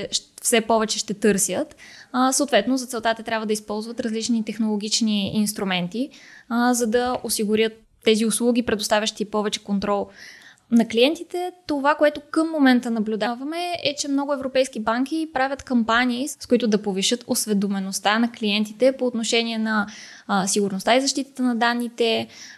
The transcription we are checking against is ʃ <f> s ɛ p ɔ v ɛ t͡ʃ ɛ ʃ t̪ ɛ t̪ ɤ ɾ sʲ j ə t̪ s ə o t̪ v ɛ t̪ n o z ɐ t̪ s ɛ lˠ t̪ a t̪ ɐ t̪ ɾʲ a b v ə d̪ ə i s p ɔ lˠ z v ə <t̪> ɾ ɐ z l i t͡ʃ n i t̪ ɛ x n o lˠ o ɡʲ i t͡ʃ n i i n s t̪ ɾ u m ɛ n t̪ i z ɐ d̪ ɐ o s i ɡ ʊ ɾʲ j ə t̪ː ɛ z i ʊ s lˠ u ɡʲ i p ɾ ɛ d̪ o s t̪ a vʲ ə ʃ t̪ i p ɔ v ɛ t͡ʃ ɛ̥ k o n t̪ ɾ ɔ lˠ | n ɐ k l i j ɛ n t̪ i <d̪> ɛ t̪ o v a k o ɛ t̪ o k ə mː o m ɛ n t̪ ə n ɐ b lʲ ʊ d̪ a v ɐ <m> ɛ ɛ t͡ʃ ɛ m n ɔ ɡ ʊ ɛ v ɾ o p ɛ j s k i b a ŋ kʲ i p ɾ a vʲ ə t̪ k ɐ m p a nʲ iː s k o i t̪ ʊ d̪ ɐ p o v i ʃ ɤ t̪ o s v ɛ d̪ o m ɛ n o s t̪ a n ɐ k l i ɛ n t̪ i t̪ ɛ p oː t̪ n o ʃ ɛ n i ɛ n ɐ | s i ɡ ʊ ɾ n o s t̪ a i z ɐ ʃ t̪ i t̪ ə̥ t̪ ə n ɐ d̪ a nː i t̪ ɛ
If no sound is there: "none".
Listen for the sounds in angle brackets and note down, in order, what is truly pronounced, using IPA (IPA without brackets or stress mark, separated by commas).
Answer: f, t̪, t̪, m